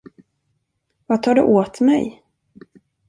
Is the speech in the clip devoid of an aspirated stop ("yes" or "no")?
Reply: no